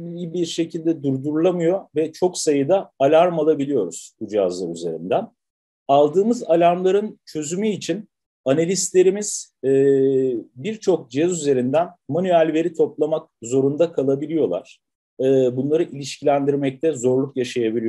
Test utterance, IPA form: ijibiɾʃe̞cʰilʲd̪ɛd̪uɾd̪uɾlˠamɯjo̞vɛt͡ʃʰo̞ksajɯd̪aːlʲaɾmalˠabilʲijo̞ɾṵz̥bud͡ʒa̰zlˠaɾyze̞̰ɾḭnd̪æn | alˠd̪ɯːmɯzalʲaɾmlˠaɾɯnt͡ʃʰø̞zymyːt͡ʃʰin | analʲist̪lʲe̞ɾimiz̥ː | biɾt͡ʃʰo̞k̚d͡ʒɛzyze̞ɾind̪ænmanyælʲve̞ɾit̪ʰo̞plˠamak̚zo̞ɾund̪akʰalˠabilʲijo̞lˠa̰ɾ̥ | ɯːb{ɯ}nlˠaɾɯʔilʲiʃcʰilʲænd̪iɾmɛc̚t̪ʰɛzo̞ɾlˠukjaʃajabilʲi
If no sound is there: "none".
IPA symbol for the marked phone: u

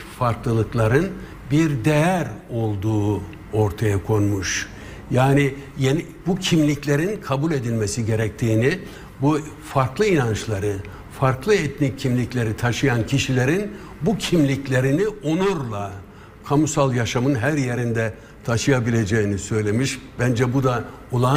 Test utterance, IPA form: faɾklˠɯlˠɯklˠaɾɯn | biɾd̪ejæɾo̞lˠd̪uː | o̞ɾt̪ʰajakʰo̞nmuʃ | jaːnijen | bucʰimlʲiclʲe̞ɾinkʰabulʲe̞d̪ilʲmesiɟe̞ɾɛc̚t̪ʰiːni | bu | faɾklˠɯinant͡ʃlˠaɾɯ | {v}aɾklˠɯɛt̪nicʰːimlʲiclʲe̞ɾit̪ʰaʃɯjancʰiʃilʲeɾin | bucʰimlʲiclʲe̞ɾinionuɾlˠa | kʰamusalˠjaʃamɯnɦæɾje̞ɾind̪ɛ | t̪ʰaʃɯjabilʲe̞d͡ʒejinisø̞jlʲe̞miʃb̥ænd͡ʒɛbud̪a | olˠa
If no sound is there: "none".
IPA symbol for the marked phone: f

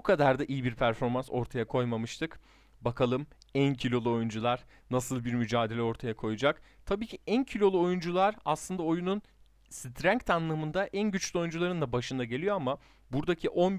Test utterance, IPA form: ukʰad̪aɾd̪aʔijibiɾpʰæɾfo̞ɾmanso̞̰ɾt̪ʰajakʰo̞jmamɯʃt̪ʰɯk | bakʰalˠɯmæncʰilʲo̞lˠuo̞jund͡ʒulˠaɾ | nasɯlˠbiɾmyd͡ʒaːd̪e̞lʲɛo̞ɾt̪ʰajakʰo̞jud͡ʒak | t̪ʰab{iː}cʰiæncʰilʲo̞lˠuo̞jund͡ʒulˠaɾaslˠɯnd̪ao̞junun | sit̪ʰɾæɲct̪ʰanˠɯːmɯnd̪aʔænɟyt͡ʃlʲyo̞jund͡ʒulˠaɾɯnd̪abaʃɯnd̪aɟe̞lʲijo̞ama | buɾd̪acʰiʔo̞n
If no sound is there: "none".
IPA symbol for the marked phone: iː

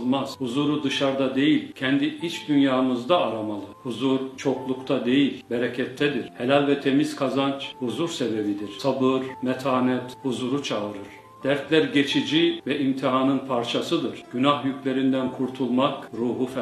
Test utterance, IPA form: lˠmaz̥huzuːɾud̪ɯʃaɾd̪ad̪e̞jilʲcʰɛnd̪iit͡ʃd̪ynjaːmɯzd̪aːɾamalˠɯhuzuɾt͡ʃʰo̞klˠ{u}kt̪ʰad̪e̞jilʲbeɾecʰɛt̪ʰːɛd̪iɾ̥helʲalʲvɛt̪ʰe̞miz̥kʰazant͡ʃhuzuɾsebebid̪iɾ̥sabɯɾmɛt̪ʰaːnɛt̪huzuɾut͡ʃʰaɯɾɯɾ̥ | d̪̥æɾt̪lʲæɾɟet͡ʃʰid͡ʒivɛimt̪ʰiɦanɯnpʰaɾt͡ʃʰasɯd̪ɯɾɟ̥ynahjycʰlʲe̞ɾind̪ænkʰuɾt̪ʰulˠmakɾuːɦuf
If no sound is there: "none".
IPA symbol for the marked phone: u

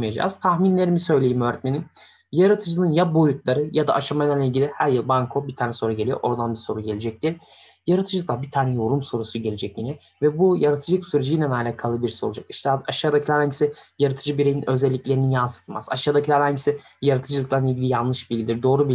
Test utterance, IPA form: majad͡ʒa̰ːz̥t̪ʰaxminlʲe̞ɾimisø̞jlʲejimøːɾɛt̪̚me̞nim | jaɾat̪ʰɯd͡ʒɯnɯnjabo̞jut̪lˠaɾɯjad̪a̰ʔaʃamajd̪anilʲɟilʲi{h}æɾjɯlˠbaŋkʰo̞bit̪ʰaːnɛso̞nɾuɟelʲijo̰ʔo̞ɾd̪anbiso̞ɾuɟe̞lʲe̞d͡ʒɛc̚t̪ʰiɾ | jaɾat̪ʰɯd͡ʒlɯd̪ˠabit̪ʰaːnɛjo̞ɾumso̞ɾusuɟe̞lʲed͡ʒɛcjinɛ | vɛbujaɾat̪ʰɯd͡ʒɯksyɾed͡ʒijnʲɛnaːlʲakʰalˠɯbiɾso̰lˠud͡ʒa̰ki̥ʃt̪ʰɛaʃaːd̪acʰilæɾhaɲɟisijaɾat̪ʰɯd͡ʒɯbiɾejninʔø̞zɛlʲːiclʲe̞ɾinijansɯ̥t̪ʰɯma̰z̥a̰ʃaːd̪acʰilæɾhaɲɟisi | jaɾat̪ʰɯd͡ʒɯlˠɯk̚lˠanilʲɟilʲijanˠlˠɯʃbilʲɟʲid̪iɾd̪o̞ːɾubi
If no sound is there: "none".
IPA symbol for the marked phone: h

